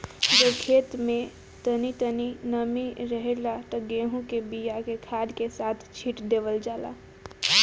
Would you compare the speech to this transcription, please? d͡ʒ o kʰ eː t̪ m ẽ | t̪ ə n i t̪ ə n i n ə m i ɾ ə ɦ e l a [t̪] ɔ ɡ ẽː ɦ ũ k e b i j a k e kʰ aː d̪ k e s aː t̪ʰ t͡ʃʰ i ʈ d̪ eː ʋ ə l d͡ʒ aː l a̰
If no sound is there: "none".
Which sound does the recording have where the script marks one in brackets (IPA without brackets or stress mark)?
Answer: t̪